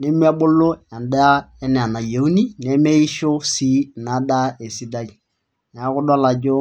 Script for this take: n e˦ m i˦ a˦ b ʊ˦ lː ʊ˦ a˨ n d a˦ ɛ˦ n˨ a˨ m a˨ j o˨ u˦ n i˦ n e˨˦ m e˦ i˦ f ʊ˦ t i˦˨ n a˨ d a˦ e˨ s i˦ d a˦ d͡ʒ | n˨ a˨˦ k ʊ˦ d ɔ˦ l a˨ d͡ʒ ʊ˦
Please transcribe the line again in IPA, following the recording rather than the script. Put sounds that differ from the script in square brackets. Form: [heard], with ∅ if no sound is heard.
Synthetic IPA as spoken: n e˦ m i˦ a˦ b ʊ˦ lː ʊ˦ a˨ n d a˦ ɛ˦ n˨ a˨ [n] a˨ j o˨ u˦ n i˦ n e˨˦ m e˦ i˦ [ʃ] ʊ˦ [s] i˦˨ n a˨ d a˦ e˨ s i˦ d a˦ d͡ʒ | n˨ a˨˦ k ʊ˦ d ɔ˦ l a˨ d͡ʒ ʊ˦